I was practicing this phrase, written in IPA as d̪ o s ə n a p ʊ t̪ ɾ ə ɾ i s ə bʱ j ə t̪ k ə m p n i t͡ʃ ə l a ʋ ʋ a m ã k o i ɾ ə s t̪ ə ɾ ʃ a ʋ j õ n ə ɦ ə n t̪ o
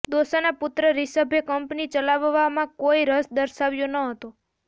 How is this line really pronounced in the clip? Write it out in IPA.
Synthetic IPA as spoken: d̪ o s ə n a p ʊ t̪ ɾ ə ɾ i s ə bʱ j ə k ə m p n i t͡ʃ ə l a ʋ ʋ a m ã k o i ɾ ə s d̪ ə ɾ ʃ a ʋ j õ n ə ɦ ə t̪ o